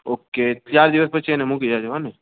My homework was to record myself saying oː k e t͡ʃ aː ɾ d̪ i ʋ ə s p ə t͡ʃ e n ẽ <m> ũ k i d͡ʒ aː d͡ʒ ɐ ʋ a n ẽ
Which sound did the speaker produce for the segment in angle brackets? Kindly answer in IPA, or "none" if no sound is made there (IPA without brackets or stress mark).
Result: m